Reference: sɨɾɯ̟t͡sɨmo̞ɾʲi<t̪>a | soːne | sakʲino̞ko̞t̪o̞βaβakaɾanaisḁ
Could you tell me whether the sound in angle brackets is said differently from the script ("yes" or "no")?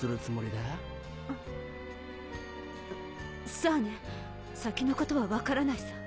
yes